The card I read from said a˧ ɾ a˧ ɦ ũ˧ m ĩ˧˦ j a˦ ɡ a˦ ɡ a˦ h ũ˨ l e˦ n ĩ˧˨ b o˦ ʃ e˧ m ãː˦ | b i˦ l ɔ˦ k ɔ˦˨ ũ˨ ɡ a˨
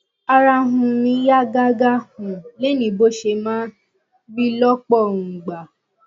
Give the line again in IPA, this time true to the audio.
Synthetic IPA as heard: a˧ ɾ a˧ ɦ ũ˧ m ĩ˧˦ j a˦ ɡ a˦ ɡ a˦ h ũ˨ l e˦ n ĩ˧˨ b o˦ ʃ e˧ m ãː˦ | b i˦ l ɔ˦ k͡p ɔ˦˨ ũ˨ ɡ͡b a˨

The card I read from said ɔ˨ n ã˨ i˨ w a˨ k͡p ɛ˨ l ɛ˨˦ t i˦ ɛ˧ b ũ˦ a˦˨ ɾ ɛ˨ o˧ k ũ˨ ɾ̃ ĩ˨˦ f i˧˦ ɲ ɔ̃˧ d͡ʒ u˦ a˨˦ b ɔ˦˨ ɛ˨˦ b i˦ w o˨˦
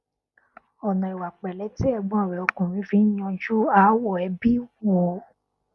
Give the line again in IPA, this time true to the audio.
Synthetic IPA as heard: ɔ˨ n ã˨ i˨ w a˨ k͡p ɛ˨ l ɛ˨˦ t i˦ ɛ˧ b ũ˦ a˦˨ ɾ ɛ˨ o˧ k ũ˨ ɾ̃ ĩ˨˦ f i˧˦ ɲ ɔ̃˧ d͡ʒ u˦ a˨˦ w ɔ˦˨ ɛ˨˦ b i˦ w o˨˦

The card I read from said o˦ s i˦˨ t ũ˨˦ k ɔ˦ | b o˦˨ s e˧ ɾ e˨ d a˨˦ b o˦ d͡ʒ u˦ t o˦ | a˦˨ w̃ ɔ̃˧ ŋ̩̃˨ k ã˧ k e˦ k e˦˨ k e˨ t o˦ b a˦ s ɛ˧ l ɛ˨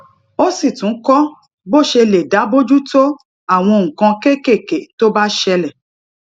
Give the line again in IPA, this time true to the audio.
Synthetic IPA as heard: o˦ s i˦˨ t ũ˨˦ k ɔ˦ | b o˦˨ ʃ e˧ l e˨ d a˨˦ b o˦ d͡ʒ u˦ t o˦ | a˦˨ w̃ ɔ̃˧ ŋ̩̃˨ k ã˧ k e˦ k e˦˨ k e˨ t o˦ b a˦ ʃ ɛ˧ l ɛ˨

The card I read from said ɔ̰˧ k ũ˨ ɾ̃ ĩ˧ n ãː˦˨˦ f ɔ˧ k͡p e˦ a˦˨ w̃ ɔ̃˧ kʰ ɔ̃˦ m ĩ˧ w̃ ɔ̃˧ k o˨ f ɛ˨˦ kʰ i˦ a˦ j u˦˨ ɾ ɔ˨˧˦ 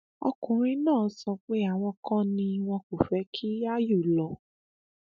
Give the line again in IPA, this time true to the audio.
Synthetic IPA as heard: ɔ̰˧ k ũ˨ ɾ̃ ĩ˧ n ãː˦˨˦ s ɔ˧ k͡p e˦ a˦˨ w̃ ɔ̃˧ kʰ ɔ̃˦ n ĩ˧ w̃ ɔ̃˧ k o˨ f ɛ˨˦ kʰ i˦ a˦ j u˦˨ l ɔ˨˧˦

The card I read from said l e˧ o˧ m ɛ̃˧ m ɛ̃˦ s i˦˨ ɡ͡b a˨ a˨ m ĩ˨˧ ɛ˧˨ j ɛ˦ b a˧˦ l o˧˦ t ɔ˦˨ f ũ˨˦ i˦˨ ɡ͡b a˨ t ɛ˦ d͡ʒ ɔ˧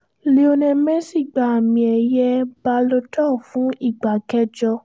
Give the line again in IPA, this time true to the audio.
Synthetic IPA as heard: l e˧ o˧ n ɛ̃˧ m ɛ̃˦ s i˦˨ ɡ͡b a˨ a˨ m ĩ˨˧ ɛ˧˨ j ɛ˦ b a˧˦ l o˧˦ t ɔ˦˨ f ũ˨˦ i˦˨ ɡ͡b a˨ k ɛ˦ d͡ʒ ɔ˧

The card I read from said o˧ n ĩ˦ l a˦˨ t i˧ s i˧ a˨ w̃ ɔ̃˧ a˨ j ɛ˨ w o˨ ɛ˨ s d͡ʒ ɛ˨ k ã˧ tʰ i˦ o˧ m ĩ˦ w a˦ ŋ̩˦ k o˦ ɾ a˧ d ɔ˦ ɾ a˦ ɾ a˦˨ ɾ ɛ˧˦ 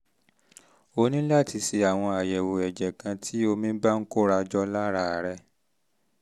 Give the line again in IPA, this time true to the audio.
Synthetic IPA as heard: o˧ n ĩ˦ l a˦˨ t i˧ s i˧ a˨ w̃ ɔ̃˧ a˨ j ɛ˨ w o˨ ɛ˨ d͡ʒ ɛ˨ k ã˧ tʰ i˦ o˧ m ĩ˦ b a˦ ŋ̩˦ k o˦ ɾ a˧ d͡ʒ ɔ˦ l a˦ ɾ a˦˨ ɾ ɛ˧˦

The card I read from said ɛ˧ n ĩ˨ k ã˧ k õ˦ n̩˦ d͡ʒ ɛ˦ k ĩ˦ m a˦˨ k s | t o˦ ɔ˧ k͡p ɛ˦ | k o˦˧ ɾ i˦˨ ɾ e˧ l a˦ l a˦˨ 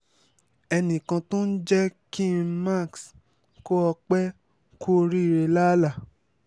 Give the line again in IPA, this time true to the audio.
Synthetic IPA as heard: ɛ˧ n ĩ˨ k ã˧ t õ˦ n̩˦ d͡ʒ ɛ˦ k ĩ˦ m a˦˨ k s | k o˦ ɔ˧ k͡p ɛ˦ | k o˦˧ ɾ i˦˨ ɾ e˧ l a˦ l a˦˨

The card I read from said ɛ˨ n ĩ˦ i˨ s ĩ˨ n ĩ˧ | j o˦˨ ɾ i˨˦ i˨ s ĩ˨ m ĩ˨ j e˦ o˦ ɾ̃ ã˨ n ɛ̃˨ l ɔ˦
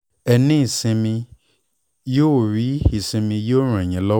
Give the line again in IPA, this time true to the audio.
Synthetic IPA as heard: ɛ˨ n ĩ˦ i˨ s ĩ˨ m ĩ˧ | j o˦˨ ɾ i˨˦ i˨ s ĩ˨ m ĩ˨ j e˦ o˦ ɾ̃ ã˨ ɲ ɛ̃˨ l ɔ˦

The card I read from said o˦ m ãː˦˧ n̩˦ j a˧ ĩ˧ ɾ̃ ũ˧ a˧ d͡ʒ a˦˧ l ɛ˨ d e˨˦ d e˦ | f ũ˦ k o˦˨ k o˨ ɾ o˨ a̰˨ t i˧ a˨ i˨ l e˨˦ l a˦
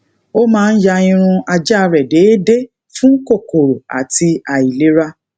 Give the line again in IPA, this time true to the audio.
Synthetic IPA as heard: o˦ m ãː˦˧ n̩˦ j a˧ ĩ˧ ɾ̃ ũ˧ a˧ d͡ʒ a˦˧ ɾ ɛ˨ d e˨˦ d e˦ | f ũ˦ k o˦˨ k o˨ ɾ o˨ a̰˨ t i˧ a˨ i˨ l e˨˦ ɾ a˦

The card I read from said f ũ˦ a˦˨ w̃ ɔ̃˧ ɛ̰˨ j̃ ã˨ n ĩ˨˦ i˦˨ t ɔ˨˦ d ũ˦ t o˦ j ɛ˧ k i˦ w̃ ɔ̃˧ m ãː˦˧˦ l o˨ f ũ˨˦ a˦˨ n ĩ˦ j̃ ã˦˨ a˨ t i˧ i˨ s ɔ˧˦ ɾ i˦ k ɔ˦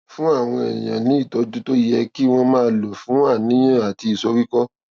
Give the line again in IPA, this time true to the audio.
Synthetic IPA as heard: f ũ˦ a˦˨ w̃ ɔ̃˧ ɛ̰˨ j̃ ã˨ n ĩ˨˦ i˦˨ t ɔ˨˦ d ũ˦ t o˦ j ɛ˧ k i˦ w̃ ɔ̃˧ m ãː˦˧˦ l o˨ f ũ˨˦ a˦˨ n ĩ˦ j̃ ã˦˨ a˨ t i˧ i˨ s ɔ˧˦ ɾ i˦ k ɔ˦

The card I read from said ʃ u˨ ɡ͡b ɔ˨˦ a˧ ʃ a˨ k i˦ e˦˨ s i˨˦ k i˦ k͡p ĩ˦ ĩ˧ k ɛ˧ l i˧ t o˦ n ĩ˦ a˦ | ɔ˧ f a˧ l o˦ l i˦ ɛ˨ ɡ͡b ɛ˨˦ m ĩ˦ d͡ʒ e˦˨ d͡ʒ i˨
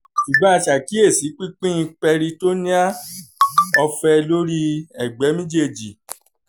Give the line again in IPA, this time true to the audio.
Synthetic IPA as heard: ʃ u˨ ɡ͡b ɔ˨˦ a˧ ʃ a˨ k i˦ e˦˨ s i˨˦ k͡p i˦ k͡p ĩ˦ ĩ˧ k͡p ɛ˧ ɾ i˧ t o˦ n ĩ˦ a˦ | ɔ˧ f ɛ˧ l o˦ ɾ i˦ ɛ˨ ɡ͡b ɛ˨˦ m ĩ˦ d͡ʒ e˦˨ d͡ʒ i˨

